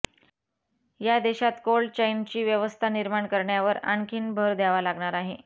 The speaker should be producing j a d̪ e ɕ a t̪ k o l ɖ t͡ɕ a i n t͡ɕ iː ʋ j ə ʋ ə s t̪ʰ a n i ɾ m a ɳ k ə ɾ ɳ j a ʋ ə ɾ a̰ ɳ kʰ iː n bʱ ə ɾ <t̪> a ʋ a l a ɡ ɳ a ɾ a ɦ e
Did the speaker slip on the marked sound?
yes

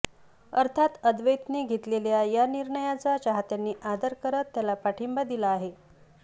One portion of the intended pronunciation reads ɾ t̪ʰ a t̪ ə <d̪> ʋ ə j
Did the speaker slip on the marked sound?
no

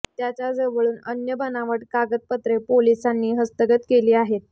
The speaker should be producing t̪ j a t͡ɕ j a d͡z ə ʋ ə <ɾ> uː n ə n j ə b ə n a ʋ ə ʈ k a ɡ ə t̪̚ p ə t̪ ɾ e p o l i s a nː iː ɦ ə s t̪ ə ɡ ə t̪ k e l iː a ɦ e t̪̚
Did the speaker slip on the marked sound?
yes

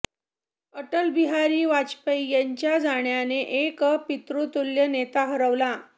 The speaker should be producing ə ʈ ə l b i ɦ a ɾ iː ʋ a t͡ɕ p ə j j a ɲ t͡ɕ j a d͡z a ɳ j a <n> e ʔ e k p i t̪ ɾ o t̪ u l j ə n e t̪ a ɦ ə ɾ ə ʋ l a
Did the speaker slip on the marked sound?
no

